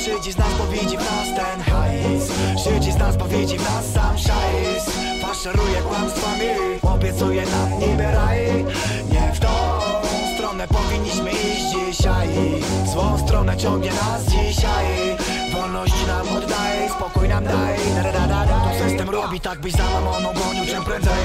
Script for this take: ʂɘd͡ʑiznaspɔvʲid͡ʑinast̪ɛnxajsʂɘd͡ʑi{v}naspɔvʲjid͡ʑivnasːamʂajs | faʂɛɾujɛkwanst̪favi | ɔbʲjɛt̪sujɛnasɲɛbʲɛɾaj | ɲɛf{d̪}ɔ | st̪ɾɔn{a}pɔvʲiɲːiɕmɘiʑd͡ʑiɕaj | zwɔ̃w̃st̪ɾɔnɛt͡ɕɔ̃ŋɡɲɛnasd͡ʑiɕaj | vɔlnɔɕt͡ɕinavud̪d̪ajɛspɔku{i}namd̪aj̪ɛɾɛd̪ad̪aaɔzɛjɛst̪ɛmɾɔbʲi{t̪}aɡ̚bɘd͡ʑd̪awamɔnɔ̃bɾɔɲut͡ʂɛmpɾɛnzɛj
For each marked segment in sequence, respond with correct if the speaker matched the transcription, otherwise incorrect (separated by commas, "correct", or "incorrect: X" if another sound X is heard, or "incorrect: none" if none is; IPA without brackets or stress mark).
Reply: incorrect: z, incorrect: t̪, incorrect: ɛ, incorrect: j, correct